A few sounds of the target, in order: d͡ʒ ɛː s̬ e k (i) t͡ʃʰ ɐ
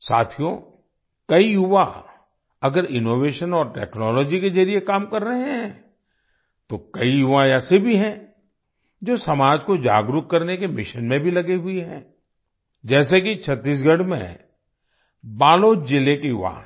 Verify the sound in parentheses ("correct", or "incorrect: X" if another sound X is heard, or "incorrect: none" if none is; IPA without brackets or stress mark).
correct